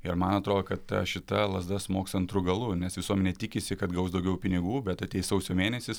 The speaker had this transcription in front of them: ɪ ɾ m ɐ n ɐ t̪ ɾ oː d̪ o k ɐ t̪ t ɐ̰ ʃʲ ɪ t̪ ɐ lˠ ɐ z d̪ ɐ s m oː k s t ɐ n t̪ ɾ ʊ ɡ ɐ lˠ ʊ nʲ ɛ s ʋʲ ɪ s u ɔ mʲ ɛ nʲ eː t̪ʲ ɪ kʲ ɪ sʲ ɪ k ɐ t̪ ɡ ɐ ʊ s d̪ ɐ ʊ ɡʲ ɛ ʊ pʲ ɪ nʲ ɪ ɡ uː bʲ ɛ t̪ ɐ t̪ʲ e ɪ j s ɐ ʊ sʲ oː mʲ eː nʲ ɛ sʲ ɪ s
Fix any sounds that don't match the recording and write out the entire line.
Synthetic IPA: ɪ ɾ m ɐ n ɐ t̪ ɾ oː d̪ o k ɐ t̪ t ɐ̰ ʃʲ ɪ t̪ ɐ lˠ ɐ z d̪ ɐ s m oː k s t ɐ n t̪ ɾ ʊ ɡ ɐ lˠ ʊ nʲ ɛ s ʋʲ ɪ s u ɔ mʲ ɛ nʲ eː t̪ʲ ɪ kʲ ɪ sʲ ɪ k ɐ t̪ ɡ ɐ ʊ s d̪ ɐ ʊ ɡʲ ɛ ʊ pʲ ɪ nʲ ɪ ɡ uː bʲ ɛ t̪ ɐ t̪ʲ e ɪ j s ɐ ʊ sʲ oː mʲ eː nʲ ɛ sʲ ɪ s